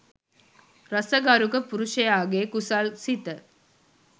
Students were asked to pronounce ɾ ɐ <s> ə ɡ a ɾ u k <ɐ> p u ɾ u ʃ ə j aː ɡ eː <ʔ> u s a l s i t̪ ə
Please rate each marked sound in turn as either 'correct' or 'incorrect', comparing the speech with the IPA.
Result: correct, incorrect: ə, incorrect: k

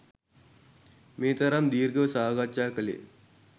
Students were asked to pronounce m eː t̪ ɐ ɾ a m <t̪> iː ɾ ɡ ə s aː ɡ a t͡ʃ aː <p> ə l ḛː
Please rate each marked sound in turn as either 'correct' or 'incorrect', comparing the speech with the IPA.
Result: incorrect: d̪, incorrect: k

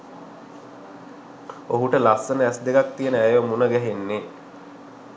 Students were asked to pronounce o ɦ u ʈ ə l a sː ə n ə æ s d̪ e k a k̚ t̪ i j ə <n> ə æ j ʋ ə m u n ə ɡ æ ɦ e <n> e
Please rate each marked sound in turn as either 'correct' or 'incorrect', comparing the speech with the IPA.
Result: correct, incorrect: nː

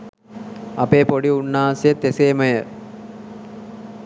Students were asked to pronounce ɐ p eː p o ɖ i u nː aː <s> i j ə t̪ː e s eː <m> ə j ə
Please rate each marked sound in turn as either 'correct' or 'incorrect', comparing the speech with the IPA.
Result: correct, correct

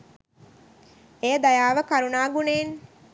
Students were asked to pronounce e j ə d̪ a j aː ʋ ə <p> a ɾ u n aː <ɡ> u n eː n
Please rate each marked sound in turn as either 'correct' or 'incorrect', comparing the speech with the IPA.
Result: incorrect: k, correct

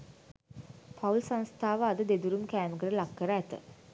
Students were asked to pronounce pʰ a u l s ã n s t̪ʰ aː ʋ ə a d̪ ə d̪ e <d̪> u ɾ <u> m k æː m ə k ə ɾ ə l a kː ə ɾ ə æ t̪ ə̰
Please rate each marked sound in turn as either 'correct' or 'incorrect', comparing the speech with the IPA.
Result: correct, correct

